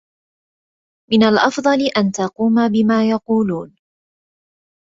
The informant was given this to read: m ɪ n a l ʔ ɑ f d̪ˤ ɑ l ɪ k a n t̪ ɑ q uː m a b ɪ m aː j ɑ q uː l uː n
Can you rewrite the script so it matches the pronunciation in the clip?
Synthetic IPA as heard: m ɪ n a l ʔ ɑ f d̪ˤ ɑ l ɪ ʔ a n t̪ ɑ q uː m a b ɪ m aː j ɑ q uː l uː n